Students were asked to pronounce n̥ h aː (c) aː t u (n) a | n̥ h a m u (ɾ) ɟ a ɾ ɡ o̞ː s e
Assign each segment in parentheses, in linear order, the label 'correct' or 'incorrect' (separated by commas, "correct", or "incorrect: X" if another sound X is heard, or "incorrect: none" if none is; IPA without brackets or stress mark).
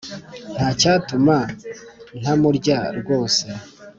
correct, incorrect: m, correct